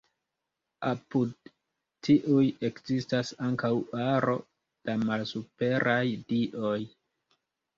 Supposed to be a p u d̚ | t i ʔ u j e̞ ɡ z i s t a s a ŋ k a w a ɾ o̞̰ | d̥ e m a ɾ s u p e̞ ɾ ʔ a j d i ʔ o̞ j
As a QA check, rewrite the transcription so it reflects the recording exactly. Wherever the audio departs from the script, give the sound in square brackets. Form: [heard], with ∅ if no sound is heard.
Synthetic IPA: a p u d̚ | t i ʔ u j e̞ [k] z i s t a s a ŋ k a w a ɾ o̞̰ | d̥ [a] m a [l] s u p e̞ ɾ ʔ a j d i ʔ o̞ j